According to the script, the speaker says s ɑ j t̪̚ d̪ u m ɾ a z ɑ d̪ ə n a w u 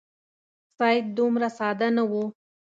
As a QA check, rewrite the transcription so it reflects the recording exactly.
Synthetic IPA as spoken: s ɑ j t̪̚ d̪ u m ɾ a s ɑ d̪ a n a w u